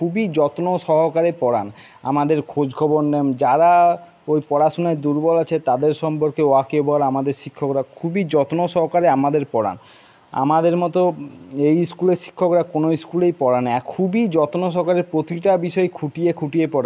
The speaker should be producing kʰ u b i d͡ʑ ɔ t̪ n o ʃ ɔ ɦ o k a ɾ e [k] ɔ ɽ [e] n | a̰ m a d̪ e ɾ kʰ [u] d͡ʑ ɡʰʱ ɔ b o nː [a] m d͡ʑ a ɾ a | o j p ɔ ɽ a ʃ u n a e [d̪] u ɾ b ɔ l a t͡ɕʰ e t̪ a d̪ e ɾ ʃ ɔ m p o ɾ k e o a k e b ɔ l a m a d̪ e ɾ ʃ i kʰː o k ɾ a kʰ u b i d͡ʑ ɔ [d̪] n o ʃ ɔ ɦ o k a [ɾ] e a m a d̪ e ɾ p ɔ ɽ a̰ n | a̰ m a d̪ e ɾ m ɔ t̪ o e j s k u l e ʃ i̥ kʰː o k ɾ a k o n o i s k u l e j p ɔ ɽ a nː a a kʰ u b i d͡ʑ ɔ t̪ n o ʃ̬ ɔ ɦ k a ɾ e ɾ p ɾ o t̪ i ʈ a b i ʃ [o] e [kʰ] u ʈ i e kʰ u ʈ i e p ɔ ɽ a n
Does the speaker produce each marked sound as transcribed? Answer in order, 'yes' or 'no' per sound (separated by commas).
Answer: no, no, no, no, yes, no, yes, no, yes